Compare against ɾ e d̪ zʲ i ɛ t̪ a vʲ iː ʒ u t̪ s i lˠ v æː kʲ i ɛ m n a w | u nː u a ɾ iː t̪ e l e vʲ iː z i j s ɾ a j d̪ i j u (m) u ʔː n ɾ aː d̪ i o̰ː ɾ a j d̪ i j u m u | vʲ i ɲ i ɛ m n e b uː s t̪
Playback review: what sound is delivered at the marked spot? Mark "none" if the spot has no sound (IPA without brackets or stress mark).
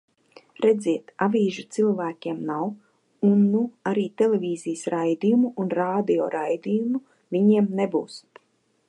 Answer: m